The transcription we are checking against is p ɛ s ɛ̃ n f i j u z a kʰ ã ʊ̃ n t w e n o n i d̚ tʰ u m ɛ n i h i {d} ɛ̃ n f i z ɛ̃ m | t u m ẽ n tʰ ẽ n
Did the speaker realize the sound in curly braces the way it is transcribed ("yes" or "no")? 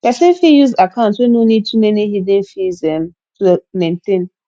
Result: yes